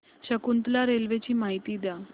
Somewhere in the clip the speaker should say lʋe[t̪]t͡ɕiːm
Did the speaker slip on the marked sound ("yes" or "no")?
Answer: yes